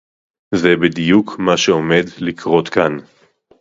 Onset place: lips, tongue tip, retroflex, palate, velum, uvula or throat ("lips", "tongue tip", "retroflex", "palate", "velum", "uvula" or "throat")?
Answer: tongue tip